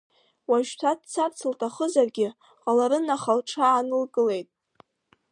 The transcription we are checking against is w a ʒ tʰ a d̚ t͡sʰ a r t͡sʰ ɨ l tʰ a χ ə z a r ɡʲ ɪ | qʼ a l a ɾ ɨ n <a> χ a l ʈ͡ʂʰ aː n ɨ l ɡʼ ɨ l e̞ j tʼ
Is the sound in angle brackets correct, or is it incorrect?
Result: correct